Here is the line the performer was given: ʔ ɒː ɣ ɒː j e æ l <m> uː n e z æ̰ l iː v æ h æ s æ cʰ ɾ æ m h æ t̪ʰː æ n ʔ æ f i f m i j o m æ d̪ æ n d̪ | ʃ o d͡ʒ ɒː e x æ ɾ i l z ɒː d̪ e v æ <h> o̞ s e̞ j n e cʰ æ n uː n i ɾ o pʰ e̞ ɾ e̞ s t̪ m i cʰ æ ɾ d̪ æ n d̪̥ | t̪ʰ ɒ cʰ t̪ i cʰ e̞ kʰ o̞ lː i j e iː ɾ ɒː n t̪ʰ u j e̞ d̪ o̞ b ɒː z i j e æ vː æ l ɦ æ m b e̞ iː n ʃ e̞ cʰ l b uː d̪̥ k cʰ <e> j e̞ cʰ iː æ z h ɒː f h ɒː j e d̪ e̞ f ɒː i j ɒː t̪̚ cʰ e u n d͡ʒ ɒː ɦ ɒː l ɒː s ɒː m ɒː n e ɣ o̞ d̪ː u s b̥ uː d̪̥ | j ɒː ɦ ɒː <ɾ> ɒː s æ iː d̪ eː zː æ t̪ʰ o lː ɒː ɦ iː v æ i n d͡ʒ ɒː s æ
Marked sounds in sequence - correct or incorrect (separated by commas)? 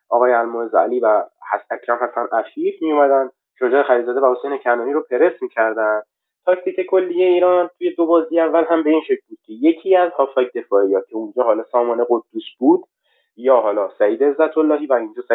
correct, correct, correct, incorrect